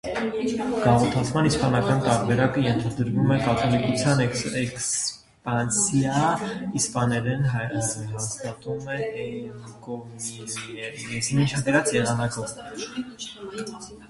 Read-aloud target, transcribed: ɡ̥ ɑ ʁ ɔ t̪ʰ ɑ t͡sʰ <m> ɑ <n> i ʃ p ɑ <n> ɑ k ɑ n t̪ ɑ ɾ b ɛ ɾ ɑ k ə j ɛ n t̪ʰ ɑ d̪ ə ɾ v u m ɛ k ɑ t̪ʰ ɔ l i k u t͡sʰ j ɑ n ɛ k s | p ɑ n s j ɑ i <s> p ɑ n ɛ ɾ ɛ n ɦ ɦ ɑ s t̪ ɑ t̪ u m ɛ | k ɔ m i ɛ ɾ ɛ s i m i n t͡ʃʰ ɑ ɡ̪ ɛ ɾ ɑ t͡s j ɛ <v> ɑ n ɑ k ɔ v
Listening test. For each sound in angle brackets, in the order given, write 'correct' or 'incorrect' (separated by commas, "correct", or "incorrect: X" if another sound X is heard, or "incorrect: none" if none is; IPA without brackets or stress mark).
correct, correct, correct, correct, incorrect: ʁ